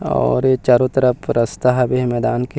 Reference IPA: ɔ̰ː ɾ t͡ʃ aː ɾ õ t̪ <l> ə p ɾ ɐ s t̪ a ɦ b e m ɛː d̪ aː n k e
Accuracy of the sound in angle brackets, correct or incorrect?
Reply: incorrect